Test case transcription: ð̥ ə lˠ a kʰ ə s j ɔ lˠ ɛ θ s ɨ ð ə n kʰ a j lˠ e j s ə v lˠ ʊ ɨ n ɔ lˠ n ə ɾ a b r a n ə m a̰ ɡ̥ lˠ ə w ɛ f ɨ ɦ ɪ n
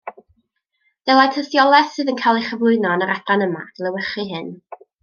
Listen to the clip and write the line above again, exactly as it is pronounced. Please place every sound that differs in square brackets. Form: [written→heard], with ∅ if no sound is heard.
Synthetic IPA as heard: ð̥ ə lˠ a [kʰ→tʰ] ə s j ɔ lˠ ɛ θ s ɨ ð ə n kʰ a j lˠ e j [s→χ] ə v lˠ ʊ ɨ n ɔ [lˠ→∅] n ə ɾ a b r a n ə m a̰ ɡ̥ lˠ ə w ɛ [f→χ] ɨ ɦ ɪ n